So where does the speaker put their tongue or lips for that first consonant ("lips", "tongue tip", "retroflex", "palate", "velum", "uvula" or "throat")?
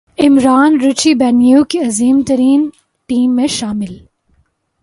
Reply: lips